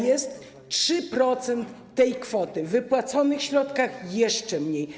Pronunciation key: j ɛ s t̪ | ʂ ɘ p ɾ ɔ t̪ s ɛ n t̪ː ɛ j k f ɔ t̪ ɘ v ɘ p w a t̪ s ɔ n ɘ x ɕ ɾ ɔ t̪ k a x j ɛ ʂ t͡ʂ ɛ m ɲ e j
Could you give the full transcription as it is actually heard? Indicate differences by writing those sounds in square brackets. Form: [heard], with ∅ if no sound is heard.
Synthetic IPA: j ɛ s t̪ | ʂ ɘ p ɾ ɔ t̪ s ɛ n t̪ː ɛ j k f ɔ t̪ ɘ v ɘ p w a t̪ s ɔ n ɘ x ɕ ɾ ɔ t̪ k a x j ɛ ʂ t͡ʂ ɛ m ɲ e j